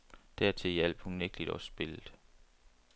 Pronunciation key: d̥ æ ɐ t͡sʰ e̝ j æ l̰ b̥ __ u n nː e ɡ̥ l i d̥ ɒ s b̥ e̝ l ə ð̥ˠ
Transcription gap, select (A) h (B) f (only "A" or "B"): A